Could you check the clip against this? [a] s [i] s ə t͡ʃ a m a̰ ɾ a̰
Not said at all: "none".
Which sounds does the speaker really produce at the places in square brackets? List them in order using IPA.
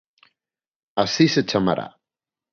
a, i

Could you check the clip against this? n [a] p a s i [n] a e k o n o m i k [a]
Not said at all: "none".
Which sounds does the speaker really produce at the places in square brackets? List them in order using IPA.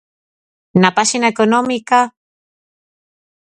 a, n, a

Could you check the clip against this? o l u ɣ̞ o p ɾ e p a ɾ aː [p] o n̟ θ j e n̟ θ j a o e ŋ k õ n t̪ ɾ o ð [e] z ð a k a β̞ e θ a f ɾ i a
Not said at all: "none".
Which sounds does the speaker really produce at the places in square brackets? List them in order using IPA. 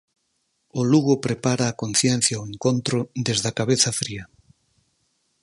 k, e

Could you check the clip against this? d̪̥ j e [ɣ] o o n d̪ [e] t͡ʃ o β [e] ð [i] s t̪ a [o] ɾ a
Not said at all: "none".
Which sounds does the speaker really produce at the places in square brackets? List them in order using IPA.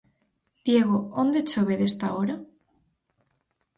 ɣ, e, e, e, o

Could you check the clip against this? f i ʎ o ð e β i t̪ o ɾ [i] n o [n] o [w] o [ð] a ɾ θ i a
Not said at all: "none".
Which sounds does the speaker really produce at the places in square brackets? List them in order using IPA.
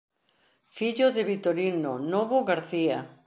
i, n, β, ɣ

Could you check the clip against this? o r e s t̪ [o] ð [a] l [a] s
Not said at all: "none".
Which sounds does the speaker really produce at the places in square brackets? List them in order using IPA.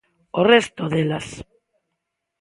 o, e, a

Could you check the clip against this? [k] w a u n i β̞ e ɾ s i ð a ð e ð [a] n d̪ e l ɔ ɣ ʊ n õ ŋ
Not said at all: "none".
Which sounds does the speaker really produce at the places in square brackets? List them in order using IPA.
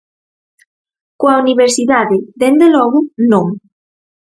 k, e

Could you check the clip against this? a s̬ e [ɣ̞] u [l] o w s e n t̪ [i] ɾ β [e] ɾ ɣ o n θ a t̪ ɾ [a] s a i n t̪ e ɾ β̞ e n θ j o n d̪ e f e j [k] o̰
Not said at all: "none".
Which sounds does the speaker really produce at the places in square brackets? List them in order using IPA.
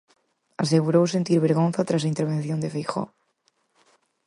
ɣ̞, ɾ, i, e, a, x

